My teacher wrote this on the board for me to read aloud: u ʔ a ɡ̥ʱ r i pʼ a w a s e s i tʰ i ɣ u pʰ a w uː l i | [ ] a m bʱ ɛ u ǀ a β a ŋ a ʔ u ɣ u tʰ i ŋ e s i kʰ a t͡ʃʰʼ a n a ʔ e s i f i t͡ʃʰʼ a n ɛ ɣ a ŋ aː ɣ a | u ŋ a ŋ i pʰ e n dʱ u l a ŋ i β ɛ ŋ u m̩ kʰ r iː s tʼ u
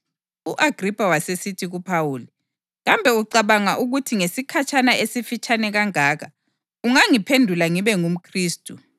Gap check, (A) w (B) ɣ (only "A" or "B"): B